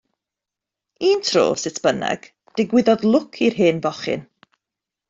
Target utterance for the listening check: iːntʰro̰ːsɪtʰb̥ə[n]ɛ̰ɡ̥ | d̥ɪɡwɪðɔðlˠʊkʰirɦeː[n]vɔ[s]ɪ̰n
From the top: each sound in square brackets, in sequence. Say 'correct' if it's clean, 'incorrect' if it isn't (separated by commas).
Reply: correct, correct, incorrect